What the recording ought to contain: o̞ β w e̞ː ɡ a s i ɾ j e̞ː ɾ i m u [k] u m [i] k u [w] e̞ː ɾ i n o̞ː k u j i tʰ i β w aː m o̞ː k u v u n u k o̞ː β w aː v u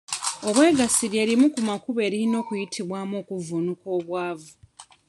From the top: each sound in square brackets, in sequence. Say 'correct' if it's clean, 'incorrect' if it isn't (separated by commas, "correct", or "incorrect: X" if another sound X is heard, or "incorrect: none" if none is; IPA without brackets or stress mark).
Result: correct, incorrect: a, incorrect: β